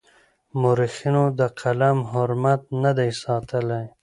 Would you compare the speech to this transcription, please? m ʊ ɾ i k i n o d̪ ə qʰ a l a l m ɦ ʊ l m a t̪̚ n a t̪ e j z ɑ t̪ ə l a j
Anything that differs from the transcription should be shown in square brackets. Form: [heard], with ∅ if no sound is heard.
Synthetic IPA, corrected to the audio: m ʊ ɾ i [x] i n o d̪ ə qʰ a l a [∅] m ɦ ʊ [ɾ] m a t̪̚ n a [d̪] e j [s] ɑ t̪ ə l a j